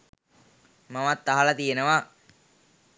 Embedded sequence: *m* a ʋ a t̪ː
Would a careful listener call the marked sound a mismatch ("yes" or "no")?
no